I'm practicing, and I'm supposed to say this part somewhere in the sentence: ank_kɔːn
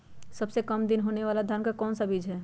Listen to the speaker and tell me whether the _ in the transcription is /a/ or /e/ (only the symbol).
a